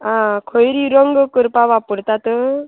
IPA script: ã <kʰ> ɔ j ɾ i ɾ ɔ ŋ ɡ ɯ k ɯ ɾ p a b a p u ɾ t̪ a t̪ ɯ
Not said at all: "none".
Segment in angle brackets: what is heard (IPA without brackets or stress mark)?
kʰ